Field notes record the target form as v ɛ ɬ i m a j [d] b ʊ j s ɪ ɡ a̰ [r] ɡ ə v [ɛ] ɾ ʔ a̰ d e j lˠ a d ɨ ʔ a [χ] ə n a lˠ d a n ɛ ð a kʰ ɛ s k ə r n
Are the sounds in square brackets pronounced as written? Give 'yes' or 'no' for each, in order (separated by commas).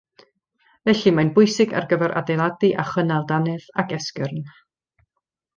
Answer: no, yes, yes, yes